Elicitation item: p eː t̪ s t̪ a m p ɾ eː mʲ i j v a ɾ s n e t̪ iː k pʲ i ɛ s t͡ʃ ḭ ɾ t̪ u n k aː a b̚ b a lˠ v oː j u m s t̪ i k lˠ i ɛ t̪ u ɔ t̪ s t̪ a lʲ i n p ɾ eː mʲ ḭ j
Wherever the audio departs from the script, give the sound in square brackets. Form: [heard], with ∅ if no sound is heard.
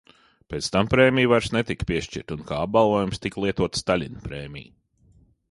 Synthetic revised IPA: p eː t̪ s t̪ a m p ɾ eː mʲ i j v a ɾ s n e t̪ [i] k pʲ i ɛ [ʃ] t͡ʃ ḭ ɾ t̪ u n k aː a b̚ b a lˠ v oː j u m s t̪ i k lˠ i ɛ t̪ u ɔ t̪ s t̪ a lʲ i n p ɾ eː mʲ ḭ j